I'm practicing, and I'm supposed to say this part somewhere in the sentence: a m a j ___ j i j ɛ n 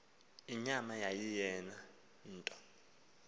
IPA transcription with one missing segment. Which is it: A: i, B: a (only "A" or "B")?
B